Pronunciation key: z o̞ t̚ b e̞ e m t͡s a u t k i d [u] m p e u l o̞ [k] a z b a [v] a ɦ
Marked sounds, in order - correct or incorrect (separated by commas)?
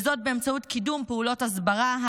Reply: correct, incorrect, incorrect